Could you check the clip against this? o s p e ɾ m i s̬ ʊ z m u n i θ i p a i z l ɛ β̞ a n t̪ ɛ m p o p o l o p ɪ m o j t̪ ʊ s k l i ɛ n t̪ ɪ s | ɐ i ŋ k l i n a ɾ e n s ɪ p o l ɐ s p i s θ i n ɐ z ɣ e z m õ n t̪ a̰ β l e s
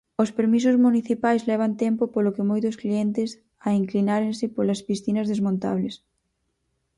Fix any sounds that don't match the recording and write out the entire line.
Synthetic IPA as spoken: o s p e ɾ m i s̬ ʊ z m u n i θ i p a j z l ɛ β̞ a n t̪ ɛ m p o p o l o k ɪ m o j t̪ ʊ s k l i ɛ n t̪ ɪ s | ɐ i ŋ k l i n a ɾ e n s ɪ p o l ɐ s p i s θ i n ɐ z ð e z m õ n t̪ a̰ β l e s